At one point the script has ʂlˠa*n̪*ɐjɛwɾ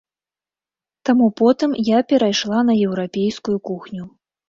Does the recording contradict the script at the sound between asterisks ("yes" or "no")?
no